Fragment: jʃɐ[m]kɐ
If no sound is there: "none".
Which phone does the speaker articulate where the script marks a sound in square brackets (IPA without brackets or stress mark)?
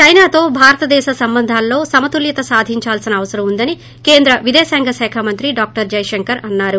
ŋ